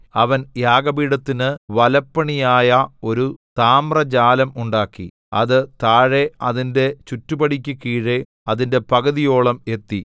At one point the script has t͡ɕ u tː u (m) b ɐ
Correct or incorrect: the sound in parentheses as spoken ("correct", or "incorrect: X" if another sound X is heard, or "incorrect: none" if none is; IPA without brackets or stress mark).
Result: incorrect: none